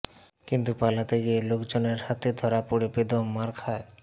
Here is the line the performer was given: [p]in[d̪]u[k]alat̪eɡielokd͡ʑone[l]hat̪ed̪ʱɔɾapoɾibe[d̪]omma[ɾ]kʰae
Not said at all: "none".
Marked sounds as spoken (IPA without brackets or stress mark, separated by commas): k, t̪, p, ɾ, d̪, ɾ